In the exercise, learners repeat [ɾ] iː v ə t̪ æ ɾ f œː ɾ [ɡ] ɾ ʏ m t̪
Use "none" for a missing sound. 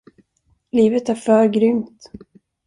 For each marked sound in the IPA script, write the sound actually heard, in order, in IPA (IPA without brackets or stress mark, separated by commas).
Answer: l, ɡ